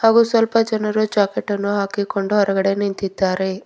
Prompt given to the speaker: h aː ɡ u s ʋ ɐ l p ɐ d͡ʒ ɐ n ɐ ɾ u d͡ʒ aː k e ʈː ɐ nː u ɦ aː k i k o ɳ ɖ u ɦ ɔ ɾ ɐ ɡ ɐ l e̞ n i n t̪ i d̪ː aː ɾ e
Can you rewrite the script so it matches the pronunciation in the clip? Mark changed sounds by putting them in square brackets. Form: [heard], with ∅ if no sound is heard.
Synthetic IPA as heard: h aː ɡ u s ʋ ɐ l p ɐ d͡ʒ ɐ n ɐ ɾ u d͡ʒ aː k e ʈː ɐ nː u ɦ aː k i k o ɳ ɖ u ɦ ɔ ɾ ɐ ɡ ɐ [ɽ] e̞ n i n t̪ i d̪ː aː ɾ e